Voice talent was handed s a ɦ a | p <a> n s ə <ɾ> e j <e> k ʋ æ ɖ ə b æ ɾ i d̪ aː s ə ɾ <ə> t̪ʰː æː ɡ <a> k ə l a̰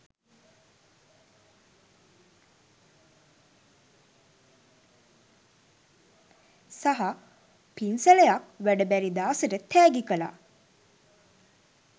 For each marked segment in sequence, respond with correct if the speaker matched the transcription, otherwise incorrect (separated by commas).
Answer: incorrect, incorrect, incorrect, correct, incorrect